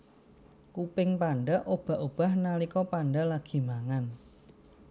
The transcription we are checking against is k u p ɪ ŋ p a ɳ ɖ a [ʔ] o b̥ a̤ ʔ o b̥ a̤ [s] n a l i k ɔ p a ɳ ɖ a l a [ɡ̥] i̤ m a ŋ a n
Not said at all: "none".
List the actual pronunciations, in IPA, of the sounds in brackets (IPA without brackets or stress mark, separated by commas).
ʔ, h, ɡ̥